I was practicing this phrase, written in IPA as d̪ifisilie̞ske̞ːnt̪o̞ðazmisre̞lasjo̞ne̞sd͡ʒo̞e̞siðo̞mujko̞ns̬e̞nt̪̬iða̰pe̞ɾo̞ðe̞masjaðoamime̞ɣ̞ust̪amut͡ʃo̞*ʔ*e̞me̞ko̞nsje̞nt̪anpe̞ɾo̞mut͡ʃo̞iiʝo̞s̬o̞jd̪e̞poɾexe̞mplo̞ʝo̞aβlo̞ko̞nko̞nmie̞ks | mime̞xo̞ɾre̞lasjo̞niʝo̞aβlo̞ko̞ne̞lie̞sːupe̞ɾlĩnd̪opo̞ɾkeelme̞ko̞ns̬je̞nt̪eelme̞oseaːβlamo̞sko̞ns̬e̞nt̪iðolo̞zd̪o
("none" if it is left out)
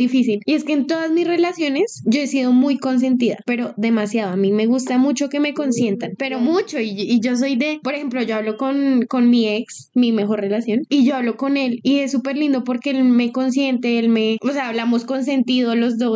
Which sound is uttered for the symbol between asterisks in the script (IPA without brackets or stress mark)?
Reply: k